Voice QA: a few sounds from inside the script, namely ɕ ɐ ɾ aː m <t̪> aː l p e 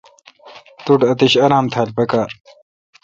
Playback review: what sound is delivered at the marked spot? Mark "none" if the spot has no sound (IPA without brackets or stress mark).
t̪ʰ